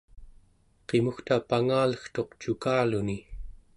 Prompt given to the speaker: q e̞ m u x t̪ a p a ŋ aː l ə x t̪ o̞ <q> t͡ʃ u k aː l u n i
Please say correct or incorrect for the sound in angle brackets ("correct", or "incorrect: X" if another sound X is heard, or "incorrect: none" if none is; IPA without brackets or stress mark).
correct